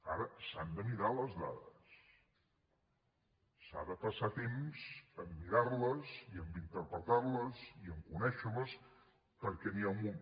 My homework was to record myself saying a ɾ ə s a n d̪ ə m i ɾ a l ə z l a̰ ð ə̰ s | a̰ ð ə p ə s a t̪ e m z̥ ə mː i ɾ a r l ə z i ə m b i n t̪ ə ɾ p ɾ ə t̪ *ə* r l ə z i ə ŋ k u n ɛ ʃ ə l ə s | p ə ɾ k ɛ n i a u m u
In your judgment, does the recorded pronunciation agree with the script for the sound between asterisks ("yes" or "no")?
no